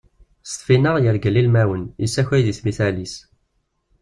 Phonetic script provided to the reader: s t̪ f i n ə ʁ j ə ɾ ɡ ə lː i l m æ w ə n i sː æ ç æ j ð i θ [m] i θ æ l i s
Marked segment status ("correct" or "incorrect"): correct